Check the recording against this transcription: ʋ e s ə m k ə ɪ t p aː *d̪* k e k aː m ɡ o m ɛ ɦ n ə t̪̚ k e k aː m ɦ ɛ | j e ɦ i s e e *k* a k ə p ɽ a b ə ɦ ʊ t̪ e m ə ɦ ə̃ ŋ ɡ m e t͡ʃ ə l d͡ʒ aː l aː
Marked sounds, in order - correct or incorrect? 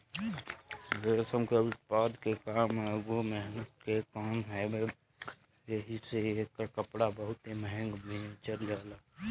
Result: correct, correct

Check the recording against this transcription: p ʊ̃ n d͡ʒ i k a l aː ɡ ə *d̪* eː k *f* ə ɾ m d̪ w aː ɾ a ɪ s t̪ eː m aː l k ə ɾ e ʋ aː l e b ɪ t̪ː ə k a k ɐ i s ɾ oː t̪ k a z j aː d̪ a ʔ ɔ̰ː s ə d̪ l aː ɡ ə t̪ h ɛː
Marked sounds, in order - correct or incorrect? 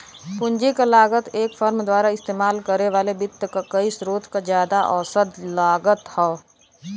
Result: incorrect, correct

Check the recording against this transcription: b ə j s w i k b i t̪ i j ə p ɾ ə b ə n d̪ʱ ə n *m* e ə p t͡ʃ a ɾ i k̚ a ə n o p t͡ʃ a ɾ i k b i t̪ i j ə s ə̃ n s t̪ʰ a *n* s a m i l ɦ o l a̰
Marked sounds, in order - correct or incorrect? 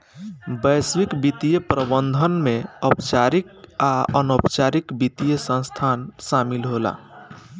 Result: correct, correct

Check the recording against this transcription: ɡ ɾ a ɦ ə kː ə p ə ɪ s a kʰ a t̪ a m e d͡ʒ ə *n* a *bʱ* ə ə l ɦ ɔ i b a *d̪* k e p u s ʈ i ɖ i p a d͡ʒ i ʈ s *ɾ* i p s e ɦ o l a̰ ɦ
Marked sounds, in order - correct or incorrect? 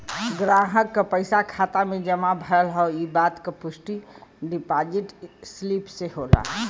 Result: incorrect, correct, incorrect, incorrect

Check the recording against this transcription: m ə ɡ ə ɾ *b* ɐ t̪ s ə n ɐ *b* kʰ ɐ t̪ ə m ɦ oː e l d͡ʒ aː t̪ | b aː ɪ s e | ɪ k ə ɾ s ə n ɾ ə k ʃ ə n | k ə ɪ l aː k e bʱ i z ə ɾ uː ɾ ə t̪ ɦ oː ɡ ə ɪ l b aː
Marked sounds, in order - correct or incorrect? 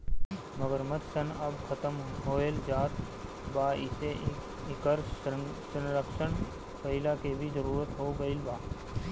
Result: incorrect, correct

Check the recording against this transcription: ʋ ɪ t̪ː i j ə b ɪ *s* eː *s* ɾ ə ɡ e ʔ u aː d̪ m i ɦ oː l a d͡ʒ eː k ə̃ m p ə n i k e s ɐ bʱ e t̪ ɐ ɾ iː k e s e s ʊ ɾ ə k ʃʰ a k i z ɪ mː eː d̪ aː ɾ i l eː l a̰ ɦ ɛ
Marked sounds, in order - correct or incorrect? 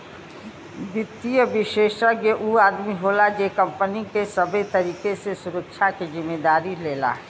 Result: incorrect, incorrect

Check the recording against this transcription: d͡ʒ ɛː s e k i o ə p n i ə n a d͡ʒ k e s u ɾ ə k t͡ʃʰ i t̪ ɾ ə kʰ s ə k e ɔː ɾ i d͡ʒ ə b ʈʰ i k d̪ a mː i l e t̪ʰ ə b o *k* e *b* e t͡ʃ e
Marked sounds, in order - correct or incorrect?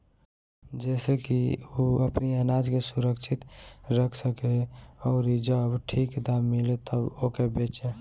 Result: correct, correct

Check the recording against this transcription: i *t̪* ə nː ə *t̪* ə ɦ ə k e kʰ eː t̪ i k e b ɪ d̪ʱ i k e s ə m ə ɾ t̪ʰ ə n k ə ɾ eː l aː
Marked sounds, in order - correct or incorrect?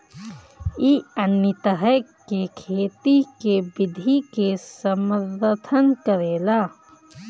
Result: incorrect, correct

